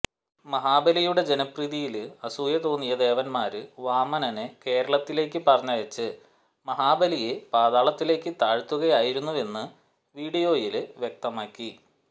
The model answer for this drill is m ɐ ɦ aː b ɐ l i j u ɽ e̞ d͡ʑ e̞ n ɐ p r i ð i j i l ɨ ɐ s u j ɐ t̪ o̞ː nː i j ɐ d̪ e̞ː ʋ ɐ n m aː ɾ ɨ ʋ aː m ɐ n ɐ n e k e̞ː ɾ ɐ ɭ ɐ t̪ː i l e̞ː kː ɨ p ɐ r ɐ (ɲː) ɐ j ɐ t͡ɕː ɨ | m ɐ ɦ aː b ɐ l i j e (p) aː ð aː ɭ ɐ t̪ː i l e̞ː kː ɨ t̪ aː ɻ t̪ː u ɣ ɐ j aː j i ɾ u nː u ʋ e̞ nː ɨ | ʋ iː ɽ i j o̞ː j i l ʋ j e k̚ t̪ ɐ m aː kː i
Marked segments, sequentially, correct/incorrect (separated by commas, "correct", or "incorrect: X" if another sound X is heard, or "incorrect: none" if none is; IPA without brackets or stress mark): correct, correct